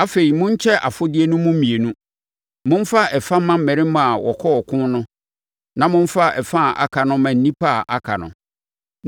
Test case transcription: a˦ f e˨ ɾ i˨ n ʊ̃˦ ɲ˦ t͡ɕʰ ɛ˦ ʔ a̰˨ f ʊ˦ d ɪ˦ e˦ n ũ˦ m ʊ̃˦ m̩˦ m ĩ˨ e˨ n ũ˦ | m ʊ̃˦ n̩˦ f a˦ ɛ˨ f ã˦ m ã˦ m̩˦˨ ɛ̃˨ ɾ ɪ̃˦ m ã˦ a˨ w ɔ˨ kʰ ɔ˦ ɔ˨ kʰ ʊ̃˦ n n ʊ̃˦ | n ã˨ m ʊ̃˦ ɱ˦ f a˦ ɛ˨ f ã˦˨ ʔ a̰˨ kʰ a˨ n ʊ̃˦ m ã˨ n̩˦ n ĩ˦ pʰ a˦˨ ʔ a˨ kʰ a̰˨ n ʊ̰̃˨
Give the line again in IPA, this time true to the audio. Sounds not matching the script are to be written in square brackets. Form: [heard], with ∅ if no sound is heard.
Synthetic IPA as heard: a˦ f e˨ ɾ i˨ [m] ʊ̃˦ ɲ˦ t͡ɕʰ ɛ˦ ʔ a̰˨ f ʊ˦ d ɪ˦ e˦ n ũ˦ m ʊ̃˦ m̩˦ m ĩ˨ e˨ n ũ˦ | m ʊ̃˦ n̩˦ f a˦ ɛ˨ f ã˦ m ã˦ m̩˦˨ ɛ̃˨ ɾ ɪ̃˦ m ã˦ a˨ w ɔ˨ kʰ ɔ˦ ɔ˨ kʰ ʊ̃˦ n n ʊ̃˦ | n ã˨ m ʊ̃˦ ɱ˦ f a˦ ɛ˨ f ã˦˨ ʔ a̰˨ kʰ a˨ n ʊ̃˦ m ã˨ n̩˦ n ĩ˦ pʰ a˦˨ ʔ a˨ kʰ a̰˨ n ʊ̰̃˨